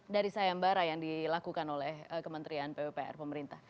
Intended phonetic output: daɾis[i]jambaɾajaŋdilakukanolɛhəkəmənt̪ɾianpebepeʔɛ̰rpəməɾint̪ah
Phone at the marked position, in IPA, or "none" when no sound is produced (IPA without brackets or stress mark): a